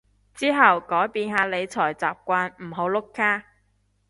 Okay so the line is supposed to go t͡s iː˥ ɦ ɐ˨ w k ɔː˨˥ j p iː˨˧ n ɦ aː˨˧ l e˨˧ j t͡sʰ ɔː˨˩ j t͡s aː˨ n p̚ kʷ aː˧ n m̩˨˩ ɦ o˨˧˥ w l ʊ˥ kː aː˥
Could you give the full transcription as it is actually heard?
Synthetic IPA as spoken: t͡s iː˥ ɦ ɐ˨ w k ɔː˨˥ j p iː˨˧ n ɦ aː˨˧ l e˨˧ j t͡sʰ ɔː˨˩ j t͡s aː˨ p̚ kʷ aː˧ n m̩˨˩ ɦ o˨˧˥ w l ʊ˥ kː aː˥